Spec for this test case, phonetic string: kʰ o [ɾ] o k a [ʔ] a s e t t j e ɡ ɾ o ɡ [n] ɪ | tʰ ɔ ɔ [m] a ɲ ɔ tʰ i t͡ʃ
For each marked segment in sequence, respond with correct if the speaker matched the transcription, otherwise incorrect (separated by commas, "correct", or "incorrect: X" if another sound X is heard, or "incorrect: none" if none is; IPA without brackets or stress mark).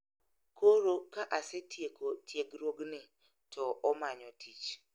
correct, correct, correct, correct